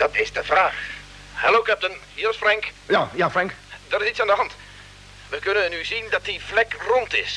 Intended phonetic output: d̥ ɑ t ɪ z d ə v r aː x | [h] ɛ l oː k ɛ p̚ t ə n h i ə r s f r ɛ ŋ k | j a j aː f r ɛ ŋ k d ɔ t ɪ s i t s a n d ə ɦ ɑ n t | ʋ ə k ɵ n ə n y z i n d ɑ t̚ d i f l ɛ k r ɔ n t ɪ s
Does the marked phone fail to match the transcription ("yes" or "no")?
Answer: no